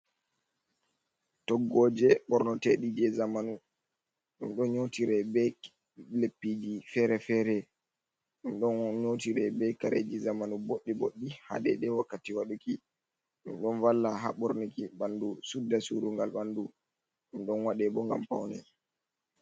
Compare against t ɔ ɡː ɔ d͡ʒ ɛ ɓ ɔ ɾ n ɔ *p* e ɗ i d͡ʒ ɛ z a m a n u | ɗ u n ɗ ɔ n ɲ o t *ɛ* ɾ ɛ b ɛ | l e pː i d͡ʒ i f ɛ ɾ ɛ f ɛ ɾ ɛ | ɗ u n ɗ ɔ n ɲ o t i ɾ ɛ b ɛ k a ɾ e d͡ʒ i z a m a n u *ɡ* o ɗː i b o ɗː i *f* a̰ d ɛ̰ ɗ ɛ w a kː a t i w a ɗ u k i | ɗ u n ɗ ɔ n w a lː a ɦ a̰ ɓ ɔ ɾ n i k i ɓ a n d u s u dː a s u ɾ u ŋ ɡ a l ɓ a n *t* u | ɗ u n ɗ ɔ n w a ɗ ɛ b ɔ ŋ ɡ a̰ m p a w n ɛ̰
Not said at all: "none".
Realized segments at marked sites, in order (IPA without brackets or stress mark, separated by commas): t, i, b, h, d